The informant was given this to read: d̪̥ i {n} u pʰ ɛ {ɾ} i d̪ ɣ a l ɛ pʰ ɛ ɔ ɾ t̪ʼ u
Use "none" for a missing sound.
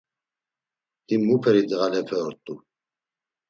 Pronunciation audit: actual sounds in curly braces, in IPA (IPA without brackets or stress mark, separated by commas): m, ɾ